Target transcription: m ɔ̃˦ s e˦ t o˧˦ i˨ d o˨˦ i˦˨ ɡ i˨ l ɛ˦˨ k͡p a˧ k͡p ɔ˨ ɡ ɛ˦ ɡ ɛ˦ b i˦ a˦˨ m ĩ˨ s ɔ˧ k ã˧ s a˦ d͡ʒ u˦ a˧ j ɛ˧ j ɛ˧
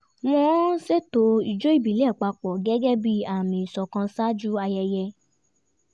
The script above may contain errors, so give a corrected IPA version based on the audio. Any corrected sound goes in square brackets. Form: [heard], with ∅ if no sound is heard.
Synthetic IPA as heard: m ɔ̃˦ s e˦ t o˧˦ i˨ [d͡ʒ] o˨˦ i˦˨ [b] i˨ l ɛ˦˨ k͡p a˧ k͡p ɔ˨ ɡ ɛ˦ ɡ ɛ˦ b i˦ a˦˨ m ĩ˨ s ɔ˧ k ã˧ s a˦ d͡ʒ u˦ a˧ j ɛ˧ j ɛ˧